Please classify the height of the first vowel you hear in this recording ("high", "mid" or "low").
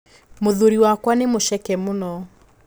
mid